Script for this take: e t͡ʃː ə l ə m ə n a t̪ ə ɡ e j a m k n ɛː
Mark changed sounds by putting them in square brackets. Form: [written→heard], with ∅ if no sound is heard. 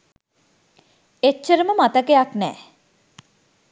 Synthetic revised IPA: e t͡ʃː ə [l→ɾ] ə m ə [n→m] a t̪ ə [ɡ→k] e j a [m→∅] k n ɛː